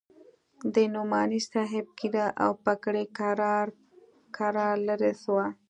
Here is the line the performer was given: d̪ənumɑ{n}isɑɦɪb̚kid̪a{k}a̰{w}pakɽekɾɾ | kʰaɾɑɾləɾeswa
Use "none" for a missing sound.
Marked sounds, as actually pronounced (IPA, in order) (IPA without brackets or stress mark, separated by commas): n, ʔ, w